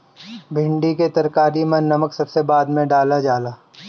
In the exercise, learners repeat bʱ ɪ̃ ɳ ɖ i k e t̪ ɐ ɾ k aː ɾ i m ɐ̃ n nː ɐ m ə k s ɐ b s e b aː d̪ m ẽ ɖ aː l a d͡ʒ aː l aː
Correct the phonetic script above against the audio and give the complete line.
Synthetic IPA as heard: bʱ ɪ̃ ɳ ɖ i k e t̪ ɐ ɾ k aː ɾ i m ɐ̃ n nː ɐ m ə k s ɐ b s e b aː d̪ m ẽ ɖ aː l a d͡ʒ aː l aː

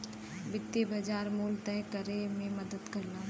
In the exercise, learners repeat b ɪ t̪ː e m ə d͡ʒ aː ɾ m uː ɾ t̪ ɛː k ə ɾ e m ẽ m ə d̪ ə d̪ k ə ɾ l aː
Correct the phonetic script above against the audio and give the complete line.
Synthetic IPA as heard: b ɪ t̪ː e b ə d͡ʒ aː ɾ m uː l t̪ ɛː k ə ɾ e m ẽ m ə d̪ ə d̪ k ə ɾ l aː

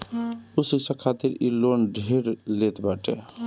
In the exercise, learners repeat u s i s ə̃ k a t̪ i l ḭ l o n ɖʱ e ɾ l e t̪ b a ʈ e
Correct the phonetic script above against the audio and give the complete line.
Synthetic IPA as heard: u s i s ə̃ kʰ a t̪ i ɾ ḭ l o n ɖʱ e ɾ l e t̪ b a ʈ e

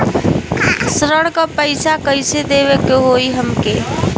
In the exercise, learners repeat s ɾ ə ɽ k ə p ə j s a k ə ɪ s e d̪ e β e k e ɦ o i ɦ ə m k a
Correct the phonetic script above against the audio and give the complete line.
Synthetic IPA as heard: s ɾ ə ɽ k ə p ə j s a k ə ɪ s e d̪ e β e k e ɦ o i ɦ ə m k e

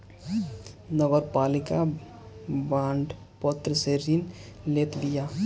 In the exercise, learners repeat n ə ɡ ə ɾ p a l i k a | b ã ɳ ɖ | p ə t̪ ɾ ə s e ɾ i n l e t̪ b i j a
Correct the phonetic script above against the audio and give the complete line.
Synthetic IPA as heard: n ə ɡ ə ɾ p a l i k a | b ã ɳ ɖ | p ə t̪ ɾ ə s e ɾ i n l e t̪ b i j a

